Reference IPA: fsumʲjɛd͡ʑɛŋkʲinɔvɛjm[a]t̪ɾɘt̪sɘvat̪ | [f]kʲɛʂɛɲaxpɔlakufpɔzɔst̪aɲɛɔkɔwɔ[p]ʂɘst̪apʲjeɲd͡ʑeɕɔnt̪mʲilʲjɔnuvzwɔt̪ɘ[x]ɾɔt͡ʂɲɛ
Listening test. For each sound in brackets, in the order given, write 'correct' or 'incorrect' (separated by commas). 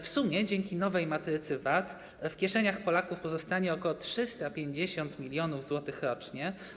correct, correct, incorrect, correct